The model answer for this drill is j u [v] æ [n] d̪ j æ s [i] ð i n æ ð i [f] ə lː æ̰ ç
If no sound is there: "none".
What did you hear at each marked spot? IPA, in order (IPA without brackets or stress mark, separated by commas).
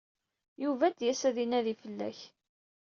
v, none, æ, f